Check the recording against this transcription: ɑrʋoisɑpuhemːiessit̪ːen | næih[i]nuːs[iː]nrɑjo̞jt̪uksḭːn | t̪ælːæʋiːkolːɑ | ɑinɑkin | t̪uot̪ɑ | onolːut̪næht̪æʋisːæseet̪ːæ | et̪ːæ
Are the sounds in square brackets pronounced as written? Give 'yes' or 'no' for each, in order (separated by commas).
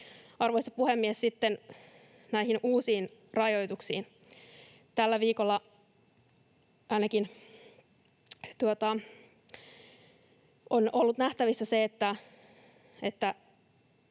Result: yes, yes